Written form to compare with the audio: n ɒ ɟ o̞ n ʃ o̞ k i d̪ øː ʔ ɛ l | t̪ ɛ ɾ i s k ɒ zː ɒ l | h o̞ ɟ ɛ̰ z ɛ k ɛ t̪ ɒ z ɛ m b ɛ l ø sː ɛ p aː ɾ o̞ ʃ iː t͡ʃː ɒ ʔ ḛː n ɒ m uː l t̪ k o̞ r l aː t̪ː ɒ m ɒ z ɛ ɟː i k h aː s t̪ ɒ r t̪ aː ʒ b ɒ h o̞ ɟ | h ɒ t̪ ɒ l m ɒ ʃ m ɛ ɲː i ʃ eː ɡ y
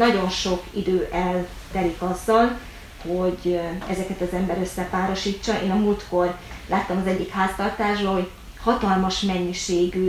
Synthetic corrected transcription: n ɒ ɟ o̞ n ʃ o̞ k i d̪ øː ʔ ɛ l | t̪ ɛ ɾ i k ɒ zː ɒ l | h o̞ ɟ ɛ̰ z ɛ k ɛ t̪ ɒ z ɛ m b ɛ ɾ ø sː ɛ p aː ɾ o̞ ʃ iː t͡ʃː ɒ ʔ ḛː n ɒ m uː l t̪ k o̞ r l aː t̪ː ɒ m ɒ z ɛ ɟː i k h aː s t̪ ɒ r t̪ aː ʒ b ɒ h o̞ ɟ | h ɒ t̪ ɒ l m ɒ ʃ m ɛ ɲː i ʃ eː ɡ y